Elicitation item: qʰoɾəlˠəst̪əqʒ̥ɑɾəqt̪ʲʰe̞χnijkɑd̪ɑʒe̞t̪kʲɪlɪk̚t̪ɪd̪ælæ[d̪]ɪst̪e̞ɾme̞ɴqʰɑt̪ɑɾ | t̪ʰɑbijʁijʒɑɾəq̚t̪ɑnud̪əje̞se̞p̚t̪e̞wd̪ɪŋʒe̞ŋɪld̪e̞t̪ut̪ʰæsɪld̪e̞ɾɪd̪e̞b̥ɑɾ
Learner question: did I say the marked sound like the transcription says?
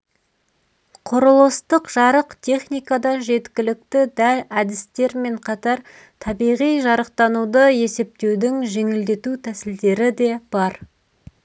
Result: yes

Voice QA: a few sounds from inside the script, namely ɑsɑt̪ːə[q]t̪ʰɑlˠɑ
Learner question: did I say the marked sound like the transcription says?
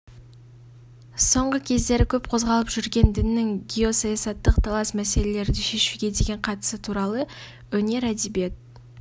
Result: yes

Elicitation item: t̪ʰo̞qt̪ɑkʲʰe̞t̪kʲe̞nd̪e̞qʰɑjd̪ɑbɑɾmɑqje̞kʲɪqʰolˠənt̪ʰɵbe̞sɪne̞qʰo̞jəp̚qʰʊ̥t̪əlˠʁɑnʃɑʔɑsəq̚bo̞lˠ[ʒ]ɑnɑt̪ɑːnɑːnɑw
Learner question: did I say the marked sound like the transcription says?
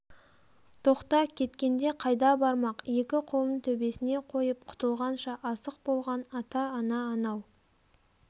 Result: no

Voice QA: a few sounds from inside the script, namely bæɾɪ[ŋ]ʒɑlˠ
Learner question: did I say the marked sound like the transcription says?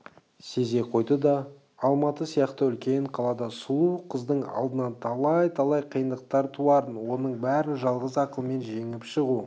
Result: no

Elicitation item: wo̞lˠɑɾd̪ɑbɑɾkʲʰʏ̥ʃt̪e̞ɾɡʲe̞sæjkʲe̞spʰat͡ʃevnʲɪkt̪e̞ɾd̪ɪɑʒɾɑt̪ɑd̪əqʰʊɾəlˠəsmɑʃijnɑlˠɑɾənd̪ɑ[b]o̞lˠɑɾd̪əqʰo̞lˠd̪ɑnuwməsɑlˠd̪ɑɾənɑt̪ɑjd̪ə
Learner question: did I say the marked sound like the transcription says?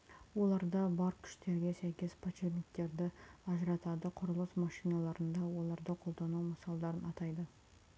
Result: no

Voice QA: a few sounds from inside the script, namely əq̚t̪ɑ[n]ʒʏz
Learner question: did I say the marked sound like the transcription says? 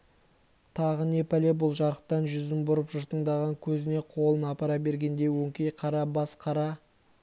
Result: yes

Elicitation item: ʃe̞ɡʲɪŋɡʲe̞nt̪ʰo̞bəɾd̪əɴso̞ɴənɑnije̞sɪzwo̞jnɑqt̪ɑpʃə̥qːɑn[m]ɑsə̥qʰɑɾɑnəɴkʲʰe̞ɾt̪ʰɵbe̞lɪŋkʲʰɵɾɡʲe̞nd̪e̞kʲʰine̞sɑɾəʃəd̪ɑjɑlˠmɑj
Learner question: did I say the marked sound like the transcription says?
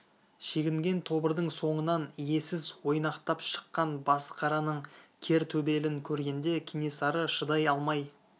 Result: no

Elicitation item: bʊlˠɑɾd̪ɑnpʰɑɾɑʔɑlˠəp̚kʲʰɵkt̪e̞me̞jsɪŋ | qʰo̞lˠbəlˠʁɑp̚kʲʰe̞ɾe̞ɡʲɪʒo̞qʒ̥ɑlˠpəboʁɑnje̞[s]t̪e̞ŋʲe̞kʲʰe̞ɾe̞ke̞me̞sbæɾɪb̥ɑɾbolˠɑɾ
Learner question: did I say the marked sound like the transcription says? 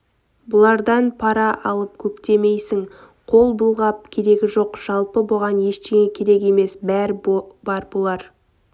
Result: no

